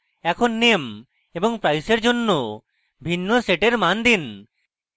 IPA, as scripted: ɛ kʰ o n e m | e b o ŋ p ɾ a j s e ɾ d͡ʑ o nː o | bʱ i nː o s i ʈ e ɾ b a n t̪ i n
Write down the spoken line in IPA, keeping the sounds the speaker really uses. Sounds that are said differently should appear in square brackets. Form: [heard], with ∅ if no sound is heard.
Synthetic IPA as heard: ɛ kʰ o [nː] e m | e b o ŋ p ɾ a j s e ɾ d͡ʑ o nː o | bʱ i nː o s [e] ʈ e ɾ [m] a n [d̪] i n